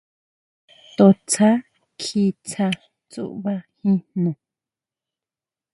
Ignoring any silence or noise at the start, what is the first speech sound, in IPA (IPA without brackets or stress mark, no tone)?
t̪